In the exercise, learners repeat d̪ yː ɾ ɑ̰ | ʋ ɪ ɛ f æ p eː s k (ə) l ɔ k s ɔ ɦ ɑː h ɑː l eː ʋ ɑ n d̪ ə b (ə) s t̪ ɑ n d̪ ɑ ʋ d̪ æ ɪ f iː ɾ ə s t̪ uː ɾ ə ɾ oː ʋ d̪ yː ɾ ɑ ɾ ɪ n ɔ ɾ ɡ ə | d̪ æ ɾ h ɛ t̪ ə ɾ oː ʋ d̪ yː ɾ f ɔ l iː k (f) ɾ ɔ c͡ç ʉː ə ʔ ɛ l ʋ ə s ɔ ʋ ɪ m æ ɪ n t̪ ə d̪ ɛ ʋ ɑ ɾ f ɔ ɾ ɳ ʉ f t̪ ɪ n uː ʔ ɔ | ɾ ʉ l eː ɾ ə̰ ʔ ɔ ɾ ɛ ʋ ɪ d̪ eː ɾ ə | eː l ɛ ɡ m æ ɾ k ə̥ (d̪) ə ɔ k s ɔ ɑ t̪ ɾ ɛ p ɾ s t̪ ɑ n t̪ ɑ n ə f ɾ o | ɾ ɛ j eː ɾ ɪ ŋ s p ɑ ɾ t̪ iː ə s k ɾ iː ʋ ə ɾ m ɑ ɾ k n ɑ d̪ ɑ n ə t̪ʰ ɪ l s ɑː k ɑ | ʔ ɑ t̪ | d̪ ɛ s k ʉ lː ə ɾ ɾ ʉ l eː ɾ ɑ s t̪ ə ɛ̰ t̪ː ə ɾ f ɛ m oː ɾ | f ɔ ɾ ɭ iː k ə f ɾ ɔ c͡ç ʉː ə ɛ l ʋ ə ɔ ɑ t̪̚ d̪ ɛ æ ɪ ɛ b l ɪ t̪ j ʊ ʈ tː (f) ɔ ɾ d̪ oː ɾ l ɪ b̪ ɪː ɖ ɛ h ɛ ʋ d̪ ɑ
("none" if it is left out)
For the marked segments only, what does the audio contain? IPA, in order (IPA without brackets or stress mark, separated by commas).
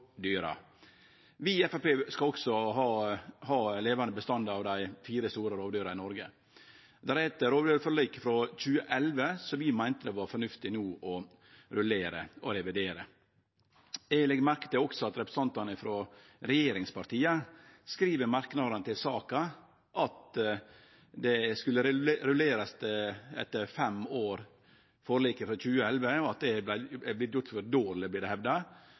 ɑ, ə, f, t̪, f